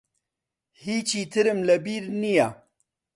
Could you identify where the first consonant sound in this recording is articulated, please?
glottal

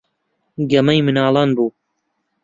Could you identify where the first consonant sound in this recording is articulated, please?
velar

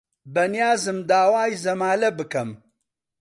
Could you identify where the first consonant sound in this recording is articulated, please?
labial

